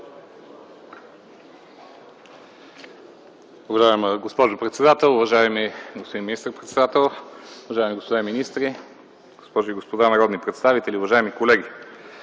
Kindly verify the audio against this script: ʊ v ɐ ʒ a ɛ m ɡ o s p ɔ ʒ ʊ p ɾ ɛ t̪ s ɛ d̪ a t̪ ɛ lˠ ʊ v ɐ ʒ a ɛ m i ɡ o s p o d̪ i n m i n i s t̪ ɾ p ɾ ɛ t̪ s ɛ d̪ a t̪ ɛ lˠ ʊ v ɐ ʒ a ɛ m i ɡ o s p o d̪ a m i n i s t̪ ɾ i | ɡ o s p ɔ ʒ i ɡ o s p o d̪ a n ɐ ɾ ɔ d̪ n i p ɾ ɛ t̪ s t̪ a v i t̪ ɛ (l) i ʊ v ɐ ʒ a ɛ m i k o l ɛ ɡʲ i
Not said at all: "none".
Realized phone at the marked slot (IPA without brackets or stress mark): l